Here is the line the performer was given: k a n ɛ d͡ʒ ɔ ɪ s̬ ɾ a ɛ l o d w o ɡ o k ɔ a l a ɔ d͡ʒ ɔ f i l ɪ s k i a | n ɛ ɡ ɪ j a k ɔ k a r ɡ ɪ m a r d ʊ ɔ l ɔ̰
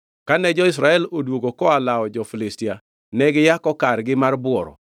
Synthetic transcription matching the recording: k a n ɛ d͡ʒ ɔ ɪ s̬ ɾ a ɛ l o d w o ɡ o k ɔ a l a ɔ d͡ʒ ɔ f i l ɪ s t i a | n ɛ ɡ ɪ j a k ɔ k a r ɡ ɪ m a r b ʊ ɔ ɾ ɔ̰

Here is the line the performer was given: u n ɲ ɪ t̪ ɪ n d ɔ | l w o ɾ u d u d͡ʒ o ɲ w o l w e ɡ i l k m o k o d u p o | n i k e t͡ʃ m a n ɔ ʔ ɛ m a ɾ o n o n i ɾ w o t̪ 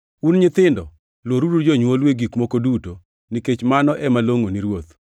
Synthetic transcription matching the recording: u n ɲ ɪ t̪ ɪ n d ɔ | l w o ɾ u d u d͡ʒ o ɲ w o l w e ɡ i k m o k o d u t o | n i k e t͡ʃ m a n ɔ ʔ ɛ m a l o ŋ o n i ɾ w o t̪

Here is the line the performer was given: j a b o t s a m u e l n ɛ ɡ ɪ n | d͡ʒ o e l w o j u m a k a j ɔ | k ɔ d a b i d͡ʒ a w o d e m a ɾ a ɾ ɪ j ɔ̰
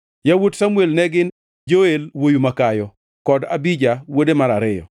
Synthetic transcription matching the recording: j a w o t s a m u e l n ɛ ɡ ɪ n | d͡ʒ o e l w o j u m a k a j ɔ | k ɔ d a b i d͡ʒ a w o d e m a ɾ a ɾ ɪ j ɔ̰

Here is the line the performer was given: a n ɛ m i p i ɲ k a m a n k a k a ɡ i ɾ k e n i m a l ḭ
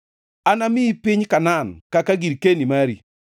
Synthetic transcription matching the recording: a n a m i p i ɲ k a n a n k a k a ɡ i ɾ k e n i m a ɾ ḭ

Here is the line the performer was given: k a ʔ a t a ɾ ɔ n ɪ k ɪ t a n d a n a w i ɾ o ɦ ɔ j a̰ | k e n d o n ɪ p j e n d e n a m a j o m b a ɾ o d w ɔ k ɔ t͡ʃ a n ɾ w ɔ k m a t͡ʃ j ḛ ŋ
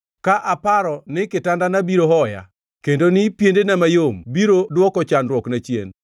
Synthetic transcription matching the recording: k a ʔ a p a ɾ ɔ n ɪ k ɪ t a n d a n a b i ɾ o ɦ ɔ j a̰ | k e n d o n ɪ p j e n d e n a m a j o m b i ɾ o d w ɔ k ɔ t͡ʃ a n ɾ w ɔ k n a t͡ʃ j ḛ n

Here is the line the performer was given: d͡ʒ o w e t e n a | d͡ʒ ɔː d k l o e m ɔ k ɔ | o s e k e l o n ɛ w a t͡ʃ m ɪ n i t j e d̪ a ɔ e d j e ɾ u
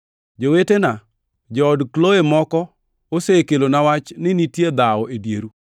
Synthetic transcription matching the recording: d͡ʒ o w e t e n a | d͡ʒ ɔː d k l o e m ɔ k ɔ | o s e k e l o n a w a t͡ʃ n ɪ n i t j e d̪ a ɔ e d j e ɾ u

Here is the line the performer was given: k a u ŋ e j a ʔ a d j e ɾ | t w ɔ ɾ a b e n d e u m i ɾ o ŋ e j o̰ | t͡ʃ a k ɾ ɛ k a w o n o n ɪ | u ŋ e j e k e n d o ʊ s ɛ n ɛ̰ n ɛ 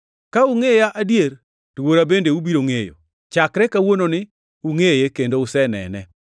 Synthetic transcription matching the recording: k a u ŋ e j a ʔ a d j e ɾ | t w o ɾ a b e n d e u b i ɾ o ŋ e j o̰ | t͡ʃ a k ɾ ɛ k a w o n o n ɪ | u ŋ e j e k e n d o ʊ s ɛ n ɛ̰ n ɛ

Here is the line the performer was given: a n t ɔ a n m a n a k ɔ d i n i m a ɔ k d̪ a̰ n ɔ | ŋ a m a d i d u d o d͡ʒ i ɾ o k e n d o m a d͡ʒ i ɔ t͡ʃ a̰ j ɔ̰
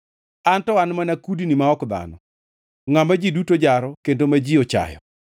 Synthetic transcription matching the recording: a n t ɔ a n m a n a k u d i n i m a ɔ k d̪ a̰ n ɔ | ŋ a m a d͡ʒ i d u t o d͡ʒ a ɾ ɔ k e n d o m a d͡ʒ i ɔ t͡ʃ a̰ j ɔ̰

